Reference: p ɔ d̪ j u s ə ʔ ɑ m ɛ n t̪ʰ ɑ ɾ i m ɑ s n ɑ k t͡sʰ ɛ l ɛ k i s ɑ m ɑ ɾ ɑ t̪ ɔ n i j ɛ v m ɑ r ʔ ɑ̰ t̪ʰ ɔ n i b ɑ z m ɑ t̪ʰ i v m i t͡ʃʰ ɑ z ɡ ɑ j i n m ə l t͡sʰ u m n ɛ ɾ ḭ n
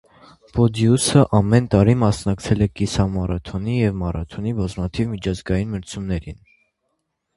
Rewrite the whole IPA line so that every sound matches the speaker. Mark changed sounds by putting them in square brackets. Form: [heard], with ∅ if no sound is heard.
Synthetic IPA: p ɔ d̪ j u s ə ʔ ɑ m ɛ n [t̪] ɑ ɾ i m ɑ s n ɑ k t͡sʰ ɛ l ɛ k i s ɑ m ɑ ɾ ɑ [t̪ʰ] ɔ n i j ɛ v m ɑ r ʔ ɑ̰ t̪ʰ ɔ n i b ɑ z m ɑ t̪ʰ i v m i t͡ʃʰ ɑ z ɡ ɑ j i n m ə [ɾ] t͡sʰ u m n ɛ ɾ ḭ n